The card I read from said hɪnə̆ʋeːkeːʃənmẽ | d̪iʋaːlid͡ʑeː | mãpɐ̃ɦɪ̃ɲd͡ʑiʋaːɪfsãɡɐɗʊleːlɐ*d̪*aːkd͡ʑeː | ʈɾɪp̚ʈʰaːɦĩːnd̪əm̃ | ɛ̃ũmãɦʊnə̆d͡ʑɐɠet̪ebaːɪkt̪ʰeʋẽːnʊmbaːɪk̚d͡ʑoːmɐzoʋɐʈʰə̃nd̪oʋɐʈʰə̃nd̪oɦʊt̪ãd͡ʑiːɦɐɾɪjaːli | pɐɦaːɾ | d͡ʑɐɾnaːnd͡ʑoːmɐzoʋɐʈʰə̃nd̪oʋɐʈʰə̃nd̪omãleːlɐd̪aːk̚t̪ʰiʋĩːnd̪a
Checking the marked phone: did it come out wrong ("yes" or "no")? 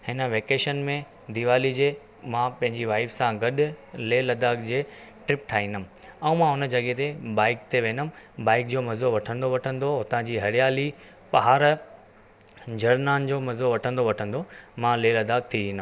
no